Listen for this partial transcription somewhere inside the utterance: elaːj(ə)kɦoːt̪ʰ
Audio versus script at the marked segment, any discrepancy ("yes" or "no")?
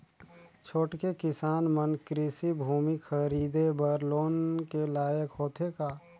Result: no